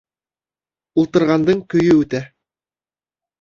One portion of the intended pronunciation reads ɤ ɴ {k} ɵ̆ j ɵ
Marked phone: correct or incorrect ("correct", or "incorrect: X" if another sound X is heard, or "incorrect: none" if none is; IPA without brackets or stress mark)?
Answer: correct